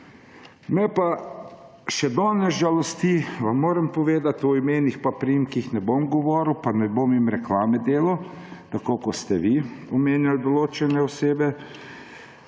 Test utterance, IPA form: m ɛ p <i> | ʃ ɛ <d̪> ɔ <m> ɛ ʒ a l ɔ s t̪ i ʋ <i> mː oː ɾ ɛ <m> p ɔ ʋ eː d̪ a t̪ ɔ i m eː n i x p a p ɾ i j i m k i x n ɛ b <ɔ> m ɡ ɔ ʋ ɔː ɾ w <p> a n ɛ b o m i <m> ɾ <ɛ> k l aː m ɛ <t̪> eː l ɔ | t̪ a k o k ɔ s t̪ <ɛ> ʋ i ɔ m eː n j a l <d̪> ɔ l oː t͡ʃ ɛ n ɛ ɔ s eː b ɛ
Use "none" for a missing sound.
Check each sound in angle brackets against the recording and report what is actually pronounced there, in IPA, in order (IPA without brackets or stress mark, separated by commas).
a, d̪, n, a, m, o, p, m, ɛ, d̪, ɛ, d̪